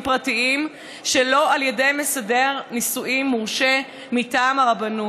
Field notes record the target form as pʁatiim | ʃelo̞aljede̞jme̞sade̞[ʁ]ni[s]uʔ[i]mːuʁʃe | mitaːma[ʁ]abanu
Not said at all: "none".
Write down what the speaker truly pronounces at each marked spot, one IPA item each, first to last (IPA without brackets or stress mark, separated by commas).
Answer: ʁ, s, i, ʁ